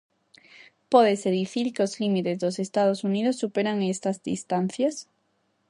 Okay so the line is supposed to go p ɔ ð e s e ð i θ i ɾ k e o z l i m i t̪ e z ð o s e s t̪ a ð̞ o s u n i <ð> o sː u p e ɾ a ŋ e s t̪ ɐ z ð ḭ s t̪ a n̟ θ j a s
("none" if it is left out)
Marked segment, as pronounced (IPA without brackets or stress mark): ð